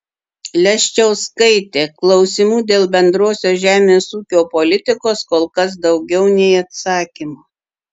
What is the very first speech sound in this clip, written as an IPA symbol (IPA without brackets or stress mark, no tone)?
lʲ